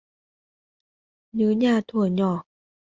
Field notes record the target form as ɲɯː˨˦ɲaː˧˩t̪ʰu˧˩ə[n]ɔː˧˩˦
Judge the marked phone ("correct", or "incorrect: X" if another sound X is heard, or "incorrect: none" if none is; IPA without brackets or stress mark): incorrect: ɲ